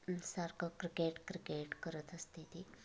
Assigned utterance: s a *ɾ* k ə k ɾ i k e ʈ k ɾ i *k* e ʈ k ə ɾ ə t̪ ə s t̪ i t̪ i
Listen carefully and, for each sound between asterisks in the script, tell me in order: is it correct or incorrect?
correct, correct

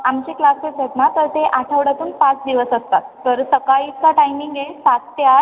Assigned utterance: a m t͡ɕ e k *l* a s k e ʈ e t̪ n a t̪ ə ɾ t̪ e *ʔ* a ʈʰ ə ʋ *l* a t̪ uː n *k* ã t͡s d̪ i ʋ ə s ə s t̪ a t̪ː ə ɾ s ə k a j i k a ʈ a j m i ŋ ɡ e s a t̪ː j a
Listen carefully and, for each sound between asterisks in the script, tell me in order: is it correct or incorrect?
correct, correct, incorrect, incorrect

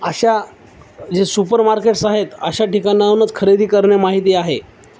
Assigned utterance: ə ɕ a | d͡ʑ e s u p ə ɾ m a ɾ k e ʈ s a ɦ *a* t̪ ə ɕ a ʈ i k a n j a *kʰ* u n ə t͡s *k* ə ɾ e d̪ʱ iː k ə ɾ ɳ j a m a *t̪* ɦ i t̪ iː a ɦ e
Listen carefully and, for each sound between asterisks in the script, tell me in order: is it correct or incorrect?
incorrect, incorrect, incorrect, incorrect

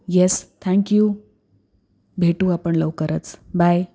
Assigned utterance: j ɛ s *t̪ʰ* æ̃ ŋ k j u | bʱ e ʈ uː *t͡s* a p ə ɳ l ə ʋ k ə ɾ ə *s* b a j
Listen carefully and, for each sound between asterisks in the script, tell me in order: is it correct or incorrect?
correct, incorrect, incorrect

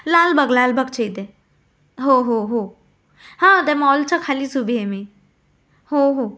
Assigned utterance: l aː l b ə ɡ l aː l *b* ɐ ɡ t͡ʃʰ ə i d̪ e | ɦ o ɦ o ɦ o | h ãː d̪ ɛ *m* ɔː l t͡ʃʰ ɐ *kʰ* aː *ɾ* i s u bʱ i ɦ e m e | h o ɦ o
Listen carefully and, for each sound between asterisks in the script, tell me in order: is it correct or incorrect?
correct, correct, correct, incorrect

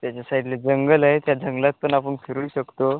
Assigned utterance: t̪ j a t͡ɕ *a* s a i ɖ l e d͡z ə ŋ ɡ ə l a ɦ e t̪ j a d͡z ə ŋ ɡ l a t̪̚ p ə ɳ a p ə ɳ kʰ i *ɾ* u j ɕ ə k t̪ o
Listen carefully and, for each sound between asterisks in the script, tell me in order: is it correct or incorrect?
correct, correct

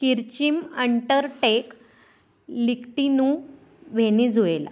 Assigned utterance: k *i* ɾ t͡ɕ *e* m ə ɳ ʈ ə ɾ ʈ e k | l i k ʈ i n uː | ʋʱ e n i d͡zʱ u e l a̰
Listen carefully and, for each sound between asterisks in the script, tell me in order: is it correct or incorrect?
correct, incorrect

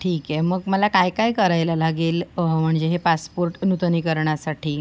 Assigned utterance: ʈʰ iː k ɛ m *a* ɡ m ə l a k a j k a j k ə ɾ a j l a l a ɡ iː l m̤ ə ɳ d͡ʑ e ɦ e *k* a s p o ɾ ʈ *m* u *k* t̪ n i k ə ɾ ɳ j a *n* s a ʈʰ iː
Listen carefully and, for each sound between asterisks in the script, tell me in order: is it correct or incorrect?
incorrect, incorrect, incorrect, incorrect, incorrect

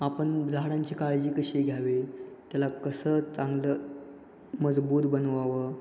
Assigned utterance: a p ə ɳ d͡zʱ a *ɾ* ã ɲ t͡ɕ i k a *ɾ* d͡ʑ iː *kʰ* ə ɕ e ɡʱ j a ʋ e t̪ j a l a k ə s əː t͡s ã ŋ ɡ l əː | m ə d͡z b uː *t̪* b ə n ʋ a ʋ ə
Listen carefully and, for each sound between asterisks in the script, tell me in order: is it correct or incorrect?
incorrect, incorrect, incorrect, correct

